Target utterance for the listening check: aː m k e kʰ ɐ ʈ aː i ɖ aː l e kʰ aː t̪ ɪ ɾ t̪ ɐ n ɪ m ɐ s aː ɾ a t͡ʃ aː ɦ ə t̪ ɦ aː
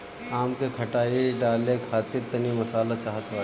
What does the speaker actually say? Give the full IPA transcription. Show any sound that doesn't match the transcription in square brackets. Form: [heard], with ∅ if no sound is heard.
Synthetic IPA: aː m k e kʰ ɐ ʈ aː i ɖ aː l e kʰ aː t̪ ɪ ɾ t̪ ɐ n [i] m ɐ s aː [l] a t͡ʃ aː ɦ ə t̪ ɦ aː

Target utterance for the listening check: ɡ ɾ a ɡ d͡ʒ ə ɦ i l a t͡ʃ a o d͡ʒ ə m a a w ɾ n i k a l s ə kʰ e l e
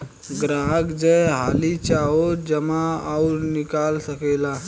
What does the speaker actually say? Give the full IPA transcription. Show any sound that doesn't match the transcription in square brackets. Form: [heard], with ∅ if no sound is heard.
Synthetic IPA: ɡ ɾ a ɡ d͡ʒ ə ɦ [a] l [i] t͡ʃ a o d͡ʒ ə m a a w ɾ n i k a l s ə [k] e l [a]

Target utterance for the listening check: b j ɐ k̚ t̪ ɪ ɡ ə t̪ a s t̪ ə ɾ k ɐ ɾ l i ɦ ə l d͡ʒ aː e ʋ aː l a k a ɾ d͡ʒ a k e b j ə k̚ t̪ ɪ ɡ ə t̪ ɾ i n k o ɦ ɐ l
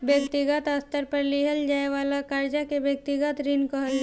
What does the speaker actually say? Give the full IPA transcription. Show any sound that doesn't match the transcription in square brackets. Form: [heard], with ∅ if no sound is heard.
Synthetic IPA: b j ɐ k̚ t̪ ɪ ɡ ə t̪ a s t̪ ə ɾ [p] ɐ ɾ l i ɦ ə l d͡ʒ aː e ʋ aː l a k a ɾ d͡ʒ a k e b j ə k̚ t̪ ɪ ɡ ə t̪ ɾ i n k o ɦ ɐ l

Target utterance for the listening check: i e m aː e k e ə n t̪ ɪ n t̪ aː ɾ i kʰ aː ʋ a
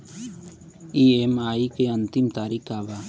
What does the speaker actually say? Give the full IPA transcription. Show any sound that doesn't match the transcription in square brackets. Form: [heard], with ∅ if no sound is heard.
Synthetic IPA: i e m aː [i] k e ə n t̪ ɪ [m] t̪ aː ɾ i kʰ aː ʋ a

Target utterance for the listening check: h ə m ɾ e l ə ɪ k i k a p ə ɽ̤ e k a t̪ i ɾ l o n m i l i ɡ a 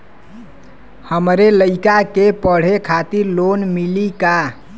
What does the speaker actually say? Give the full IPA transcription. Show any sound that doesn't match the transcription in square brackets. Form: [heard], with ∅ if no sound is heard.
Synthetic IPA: h ə m ɾ e l ə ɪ k [a] k [e] p ə ɽ̤ e [kʰ] a t̪ i ɾ l o n m i l i [k] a

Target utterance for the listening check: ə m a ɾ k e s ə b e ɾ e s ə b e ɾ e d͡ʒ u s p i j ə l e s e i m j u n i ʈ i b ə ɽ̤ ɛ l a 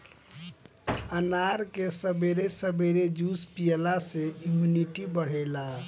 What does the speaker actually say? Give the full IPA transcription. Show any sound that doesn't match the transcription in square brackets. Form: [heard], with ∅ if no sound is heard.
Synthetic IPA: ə [n] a ɾ k e s ə b e ɾ e s ə b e ɾ e d͡ʒ u s p i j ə l [a] s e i m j u n i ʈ i b ə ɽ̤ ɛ l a

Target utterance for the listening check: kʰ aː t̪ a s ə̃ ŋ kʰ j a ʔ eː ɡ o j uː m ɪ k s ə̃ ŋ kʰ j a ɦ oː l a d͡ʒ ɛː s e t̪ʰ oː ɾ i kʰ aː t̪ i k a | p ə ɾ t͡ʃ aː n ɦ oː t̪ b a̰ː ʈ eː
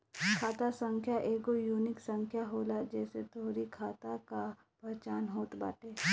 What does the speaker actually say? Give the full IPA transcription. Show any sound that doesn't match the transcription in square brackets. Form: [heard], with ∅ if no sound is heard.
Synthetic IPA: kʰ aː t̪ a s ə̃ ŋ kʰ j a ʔ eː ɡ o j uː [n] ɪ k s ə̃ ŋ kʰ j a ɦ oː l a d͡ʒ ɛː s e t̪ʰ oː ɾ i kʰ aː t̪ [a] k a | p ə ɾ t͡ʃ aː n ɦ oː t̪ b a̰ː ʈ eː

